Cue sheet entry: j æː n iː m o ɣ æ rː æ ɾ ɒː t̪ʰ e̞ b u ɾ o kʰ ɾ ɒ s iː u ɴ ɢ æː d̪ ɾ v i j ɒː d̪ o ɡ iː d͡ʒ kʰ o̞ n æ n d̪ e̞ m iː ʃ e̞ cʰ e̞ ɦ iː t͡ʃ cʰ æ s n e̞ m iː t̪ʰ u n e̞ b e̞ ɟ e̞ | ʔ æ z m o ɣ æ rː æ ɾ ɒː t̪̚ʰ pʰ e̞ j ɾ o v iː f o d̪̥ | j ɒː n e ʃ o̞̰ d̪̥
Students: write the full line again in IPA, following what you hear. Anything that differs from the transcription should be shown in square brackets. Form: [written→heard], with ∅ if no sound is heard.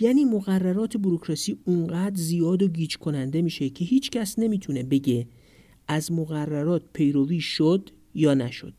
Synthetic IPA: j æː n iː m o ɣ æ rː æ ɾ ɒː t̪ʰ e̞ b u ɾ o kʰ ɾ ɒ s iː u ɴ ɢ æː d̪ ɾ [v→z] i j ɒː d̪ o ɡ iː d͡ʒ kʰ o̞ n æ n d̪ e̞ m iː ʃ e̞ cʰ e̞ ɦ iː t͡ʃ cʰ æ s n e̞ m iː t̪ʰ u n e̞ b e̞ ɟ e̞ | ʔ æ z m o ɣ æ rː æ ɾ ɒː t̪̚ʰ pʰ e̞ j ɾ o v iː [f→ʃ] o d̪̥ | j ɒː n [e→æ] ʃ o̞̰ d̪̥